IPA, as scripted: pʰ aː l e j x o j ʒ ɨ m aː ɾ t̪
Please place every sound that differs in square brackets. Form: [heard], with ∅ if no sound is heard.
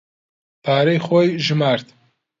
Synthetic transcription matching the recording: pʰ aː [ɾ] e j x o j ʒ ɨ m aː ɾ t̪

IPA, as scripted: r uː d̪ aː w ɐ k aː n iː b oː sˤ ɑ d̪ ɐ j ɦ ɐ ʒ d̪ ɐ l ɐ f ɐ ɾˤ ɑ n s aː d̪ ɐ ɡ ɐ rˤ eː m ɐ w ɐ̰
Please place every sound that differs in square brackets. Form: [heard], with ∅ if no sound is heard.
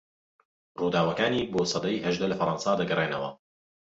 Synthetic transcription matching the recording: r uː d̪ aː w ɐ k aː n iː b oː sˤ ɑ d̪ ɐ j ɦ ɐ ʒ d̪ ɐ l ɐ f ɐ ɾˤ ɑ n s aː d̪ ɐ ɡ ɐ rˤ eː [n] ɐ w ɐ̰

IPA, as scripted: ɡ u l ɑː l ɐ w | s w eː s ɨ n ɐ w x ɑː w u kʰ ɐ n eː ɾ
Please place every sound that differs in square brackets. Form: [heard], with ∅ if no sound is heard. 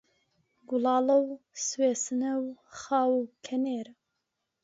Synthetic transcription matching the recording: ɡ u l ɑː l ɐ w | s w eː s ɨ n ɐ w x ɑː w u kʰ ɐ n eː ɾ

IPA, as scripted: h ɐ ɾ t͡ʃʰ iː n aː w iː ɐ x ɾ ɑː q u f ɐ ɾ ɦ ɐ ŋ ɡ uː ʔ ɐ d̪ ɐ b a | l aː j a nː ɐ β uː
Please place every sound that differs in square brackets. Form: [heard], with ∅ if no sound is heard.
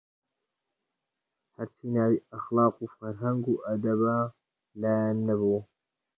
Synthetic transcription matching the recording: h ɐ ɾ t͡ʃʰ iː n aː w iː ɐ x [l] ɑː q u f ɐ ɾ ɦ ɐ ŋ ɡ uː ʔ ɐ d̪ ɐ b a | l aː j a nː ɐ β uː

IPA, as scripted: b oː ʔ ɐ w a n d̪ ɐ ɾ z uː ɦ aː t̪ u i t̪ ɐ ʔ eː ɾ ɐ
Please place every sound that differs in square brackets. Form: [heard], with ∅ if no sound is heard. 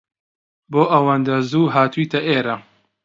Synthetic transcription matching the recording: b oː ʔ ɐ w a n d̪ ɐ [∅] z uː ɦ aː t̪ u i t̪ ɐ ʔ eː ɾ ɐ

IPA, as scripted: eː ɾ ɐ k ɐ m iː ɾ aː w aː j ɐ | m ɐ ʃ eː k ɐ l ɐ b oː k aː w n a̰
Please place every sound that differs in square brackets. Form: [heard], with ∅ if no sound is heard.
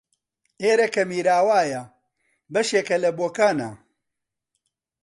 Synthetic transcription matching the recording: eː ɾ ɐ k ɐ m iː ɾ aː w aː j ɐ | [b] ɐ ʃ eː k ɐ l ɐ b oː k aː [∅] n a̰

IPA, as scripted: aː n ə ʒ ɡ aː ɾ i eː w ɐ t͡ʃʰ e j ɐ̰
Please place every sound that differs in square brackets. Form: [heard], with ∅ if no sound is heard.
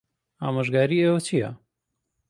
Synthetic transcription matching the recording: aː [m] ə ʒ ɡ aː ɾ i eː w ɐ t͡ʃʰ [i] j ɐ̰

